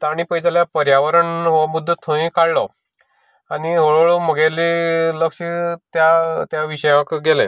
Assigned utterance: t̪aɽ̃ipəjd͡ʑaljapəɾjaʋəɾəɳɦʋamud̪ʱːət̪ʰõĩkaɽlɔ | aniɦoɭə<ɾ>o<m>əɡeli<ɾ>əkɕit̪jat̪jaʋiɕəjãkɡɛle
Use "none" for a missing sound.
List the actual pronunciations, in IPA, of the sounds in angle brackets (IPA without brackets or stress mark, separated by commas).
ɭ, m, l